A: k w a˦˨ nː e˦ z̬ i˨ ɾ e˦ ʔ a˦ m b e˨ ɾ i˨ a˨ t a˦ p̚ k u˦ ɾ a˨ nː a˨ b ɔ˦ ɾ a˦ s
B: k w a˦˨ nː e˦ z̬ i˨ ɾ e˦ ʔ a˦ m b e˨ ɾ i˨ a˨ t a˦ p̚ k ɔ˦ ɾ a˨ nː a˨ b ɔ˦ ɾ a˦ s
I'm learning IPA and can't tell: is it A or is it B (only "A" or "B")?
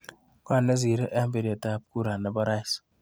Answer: A